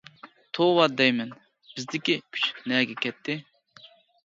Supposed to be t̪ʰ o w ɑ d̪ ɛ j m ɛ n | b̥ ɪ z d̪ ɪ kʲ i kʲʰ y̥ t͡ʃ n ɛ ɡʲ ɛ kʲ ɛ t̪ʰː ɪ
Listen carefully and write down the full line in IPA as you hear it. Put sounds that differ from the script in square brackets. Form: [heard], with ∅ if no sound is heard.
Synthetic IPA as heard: t̪ʰ o w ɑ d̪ ɛ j m ɛ n | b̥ ɪ z d̪ ɪ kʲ i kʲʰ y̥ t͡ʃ n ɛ ɡʲ ɛ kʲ ɛ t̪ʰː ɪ